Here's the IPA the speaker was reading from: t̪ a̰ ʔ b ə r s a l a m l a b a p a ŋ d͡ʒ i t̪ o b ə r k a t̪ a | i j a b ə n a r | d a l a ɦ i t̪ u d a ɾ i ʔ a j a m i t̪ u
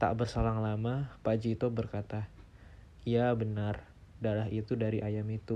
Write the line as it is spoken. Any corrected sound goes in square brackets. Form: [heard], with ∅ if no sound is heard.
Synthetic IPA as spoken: t̪ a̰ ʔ b ə r s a l a [ŋ] l a [m] a p a [∅] d͡ʒ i t̪ o b ə r k a t̪ a | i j a b ə n a r | d a l a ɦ i t̪ u d a ɾ i ʔ a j a m i t̪ u